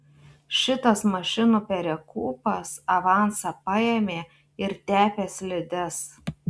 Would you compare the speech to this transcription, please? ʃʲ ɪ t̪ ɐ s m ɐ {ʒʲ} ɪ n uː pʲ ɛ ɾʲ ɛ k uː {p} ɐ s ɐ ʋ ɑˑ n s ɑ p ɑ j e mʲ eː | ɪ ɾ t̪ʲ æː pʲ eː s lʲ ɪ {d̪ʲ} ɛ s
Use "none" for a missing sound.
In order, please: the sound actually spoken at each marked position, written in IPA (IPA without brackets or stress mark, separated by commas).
ʃʲ, p, d̪ʲ